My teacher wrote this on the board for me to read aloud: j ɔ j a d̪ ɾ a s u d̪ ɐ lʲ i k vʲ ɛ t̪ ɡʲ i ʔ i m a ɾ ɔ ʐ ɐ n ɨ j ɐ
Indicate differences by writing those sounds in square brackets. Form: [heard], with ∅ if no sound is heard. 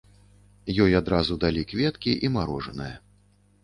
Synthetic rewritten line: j ɔ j a d̪ ɾ a [z] u d̪ [a] lʲ i k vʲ ɛ t̪ [kʲ] i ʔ i m a ɾ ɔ ʐ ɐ n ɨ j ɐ